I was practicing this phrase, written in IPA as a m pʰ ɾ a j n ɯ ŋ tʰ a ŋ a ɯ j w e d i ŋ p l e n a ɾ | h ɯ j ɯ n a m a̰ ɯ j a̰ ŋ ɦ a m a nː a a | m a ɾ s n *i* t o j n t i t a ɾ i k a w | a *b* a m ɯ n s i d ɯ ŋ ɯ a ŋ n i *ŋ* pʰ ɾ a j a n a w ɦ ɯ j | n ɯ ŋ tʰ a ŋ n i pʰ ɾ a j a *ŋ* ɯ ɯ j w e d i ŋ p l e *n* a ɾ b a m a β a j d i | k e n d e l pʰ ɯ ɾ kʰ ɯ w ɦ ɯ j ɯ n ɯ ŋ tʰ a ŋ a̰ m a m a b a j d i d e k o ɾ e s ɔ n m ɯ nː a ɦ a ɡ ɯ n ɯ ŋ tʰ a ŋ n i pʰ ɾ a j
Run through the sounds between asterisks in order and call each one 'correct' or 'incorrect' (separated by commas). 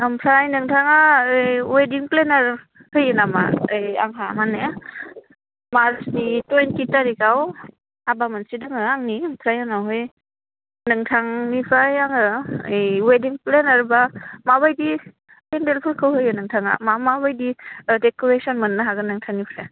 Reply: correct, correct, incorrect, correct, correct